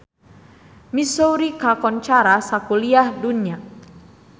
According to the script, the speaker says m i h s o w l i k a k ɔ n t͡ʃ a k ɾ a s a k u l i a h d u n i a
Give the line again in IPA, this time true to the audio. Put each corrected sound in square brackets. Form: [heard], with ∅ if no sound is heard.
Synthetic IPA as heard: m i [∅] s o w [ɾ] i k a k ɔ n t͡ʃ a [∅] ɾ a s a k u l i a h d u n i a